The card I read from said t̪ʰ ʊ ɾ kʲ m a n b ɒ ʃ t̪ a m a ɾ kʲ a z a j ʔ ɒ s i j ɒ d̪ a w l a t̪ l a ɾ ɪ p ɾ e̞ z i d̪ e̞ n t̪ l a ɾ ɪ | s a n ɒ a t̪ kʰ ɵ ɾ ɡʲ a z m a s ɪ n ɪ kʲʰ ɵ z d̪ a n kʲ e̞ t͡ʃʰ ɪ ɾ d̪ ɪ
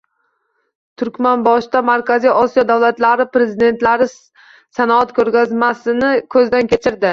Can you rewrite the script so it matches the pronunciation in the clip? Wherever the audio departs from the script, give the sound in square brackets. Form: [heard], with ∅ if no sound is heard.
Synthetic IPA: t̪ʰ ʊ ɾ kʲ m a n b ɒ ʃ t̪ a m a ɾ kʲ a z [i] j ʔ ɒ s i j ɒ d̪ a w l a t̪ l a ɾ ɪ p ɾ e̞ z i d̪ e̞ n t̪ l a ɾ ɪ | s a n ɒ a t̪ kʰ ɵ ɾ ɡʲ a z m a s ɪ n ɪ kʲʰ ɵ z d̪ a n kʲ e̞ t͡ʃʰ ɪ ɾ d̪ ɪ